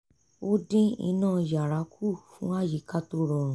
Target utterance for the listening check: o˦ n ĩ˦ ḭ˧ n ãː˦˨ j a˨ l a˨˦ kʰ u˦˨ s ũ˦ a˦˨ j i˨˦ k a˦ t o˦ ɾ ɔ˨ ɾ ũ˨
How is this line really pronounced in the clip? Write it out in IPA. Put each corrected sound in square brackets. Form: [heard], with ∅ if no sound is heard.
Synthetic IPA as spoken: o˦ [d] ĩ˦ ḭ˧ n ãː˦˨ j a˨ [ɾ] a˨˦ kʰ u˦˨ [f] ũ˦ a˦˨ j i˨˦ k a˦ t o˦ ɾ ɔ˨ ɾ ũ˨